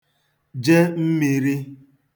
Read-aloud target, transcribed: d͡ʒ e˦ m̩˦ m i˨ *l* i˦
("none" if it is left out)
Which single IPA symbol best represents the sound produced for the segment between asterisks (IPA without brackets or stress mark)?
ɾ